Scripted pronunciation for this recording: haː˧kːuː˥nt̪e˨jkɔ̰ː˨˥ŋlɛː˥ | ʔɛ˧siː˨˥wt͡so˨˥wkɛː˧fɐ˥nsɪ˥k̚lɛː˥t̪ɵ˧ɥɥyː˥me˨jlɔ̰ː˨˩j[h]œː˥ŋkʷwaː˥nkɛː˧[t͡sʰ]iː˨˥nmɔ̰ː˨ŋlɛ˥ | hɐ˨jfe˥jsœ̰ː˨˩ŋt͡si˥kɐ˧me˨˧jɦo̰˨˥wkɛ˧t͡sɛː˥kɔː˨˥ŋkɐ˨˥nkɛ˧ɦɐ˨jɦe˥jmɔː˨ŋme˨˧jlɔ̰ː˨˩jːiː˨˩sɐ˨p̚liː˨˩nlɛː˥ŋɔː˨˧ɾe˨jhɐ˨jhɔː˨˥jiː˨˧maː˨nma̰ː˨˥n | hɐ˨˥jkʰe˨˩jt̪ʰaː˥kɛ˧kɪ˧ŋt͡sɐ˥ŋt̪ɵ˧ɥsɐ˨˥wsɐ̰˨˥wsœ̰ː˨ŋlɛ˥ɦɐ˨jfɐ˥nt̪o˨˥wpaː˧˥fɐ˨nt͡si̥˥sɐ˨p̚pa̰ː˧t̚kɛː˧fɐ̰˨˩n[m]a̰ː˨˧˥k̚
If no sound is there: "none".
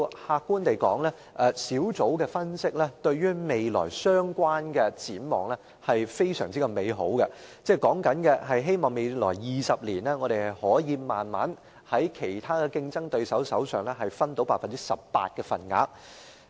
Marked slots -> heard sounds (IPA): s, t͡s, ŋ

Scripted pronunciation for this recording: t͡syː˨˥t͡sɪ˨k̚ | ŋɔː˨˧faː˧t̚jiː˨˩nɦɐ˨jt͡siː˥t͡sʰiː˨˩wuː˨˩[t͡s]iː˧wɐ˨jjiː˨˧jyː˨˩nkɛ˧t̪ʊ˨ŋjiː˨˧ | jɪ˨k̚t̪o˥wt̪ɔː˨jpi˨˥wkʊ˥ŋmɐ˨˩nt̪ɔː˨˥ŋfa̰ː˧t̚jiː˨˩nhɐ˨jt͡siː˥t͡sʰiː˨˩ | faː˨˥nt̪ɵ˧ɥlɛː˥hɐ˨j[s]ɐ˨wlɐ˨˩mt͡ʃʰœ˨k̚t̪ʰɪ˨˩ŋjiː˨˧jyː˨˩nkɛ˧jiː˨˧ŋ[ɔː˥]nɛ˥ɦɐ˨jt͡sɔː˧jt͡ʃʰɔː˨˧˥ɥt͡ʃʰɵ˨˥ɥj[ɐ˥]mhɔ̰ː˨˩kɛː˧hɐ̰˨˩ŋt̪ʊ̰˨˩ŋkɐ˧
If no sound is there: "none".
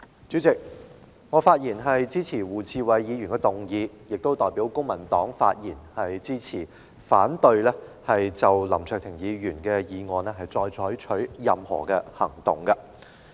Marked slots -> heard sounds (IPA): t͡sʰ, t͡s, ɔː˨, ɐ˨

